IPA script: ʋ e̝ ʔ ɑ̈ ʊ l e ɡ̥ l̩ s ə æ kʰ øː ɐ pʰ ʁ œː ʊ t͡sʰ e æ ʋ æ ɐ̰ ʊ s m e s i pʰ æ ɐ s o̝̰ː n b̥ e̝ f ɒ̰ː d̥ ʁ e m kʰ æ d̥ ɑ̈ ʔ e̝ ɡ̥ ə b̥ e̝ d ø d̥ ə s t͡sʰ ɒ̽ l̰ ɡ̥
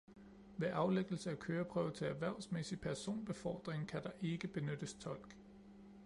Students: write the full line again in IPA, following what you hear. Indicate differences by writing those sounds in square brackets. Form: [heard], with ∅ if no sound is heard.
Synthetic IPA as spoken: ʋ e̝ ʔ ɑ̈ ʊ l e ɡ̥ l̩ s ə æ kʰ øː ɐ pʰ ʁ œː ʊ t͡sʰ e æ ʋ æ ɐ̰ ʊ s m e s i pʰ æ ɐ s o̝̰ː n b̥ e̝ f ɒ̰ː d̥ ʁ e [ŋ] kʰ æ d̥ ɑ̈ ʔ e̝ ɡ̥ ə b̥ e̝ [n] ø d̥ ə s t͡sʰ ɒ̽ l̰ ɡ̥